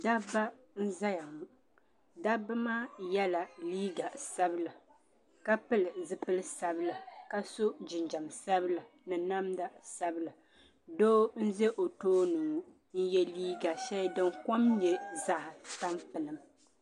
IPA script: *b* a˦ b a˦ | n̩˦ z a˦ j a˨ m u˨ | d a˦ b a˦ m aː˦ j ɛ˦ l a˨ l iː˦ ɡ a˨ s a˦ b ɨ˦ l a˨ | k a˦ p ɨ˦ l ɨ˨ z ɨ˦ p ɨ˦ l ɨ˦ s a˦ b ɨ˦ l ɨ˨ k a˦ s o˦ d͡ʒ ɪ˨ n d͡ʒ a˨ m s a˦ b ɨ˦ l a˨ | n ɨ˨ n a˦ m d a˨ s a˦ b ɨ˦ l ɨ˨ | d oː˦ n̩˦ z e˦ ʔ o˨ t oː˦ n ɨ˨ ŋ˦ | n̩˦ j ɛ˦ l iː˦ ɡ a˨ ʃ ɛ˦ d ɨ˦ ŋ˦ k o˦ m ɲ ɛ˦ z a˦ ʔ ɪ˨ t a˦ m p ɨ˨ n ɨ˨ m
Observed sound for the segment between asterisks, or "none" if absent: d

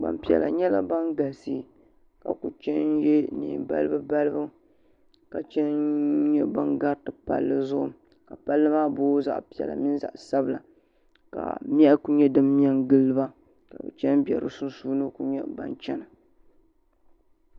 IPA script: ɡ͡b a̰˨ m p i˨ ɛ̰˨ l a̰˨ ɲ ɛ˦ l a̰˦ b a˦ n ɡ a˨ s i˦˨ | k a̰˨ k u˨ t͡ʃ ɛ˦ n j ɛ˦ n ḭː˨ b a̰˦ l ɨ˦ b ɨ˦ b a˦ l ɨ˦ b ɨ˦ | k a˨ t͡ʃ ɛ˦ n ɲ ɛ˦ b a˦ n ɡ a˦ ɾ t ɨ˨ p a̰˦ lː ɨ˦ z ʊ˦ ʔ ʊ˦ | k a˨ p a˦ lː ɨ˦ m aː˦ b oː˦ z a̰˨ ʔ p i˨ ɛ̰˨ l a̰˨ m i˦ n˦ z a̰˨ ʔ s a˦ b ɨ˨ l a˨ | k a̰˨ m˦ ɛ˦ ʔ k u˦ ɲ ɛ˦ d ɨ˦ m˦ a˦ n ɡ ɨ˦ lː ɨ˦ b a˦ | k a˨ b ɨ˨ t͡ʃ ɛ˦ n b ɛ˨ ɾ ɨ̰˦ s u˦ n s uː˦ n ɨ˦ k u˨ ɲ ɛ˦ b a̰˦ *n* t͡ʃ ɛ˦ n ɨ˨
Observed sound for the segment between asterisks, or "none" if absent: n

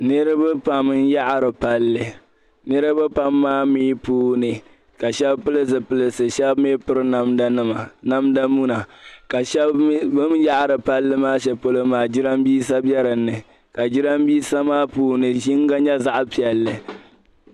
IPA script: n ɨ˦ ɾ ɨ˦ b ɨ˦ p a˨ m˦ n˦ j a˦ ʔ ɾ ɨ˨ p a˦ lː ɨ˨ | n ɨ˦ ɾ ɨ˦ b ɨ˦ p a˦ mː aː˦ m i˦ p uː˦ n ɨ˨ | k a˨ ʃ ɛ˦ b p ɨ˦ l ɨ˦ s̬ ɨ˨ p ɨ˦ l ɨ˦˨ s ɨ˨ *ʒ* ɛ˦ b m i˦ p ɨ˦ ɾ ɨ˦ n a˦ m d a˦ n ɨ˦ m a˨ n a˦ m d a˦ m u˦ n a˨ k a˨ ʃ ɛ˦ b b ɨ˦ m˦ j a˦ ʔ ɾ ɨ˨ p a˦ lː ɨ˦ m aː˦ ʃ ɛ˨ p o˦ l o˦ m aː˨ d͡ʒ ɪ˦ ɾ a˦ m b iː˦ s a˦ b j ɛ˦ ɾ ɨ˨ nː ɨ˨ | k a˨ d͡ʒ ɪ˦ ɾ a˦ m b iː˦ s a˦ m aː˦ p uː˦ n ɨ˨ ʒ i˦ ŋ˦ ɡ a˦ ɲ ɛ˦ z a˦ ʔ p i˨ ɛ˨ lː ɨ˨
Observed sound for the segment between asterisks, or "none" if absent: ʃ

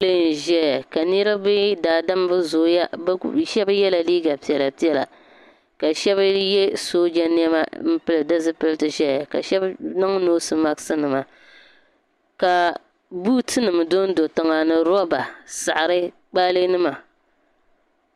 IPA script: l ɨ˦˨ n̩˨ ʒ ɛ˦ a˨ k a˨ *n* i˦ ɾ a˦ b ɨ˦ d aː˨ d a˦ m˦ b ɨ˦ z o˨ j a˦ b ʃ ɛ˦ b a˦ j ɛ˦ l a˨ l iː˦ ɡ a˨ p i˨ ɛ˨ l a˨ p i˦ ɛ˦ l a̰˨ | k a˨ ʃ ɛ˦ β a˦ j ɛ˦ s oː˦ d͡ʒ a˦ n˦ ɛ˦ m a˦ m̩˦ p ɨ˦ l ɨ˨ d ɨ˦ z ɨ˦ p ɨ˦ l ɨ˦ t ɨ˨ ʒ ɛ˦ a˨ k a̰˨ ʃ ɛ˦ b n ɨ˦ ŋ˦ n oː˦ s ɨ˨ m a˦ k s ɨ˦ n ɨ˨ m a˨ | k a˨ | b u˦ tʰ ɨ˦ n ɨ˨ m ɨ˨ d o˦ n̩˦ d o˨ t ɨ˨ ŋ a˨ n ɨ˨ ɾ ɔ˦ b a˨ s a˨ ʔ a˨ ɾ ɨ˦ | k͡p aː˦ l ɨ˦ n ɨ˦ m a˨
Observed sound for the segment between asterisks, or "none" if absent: n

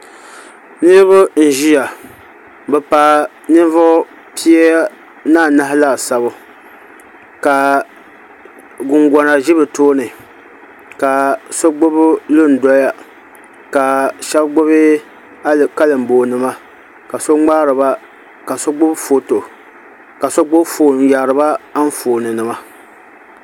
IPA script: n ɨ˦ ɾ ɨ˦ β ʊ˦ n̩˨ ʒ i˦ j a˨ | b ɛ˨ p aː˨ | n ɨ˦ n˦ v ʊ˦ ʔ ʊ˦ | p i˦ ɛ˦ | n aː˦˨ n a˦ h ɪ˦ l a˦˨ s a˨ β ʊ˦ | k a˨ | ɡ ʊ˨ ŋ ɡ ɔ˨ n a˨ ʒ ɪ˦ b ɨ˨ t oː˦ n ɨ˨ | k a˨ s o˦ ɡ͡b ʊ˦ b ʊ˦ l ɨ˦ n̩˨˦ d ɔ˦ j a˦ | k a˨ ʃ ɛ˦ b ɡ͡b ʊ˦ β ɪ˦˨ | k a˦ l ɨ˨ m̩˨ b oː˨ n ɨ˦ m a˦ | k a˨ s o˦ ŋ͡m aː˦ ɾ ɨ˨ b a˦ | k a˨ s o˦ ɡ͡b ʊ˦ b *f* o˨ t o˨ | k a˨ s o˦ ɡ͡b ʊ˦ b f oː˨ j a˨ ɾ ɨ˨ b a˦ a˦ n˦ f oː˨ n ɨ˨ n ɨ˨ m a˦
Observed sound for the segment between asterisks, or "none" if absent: f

